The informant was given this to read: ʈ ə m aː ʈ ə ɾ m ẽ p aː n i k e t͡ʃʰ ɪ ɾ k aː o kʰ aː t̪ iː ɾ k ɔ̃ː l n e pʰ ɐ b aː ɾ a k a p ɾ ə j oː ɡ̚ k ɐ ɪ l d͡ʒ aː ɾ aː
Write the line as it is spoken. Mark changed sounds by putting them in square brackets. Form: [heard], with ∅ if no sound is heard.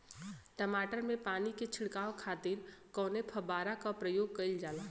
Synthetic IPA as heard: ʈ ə m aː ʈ ə ɾ m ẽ p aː n i k e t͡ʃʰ ɪ [ɽ] k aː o kʰ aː t̪ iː ɾ k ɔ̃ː [∅] n e pʰ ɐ b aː ɾ a k a p ɾ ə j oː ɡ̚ k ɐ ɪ l d͡ʒ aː [l] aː